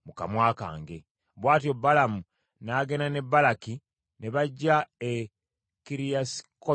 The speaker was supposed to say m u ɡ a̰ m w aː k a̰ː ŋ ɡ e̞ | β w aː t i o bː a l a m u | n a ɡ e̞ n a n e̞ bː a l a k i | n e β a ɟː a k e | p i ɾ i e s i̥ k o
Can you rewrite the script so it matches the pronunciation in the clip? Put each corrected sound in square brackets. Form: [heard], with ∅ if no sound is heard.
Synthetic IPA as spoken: m u [k] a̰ m w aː k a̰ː ŋ ɡ e̞ | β w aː t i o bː a l a m u | n a ɡ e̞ n a n e̞ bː a l a k i | n e β a ɟː a [∅] e | [k] i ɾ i [a] s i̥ k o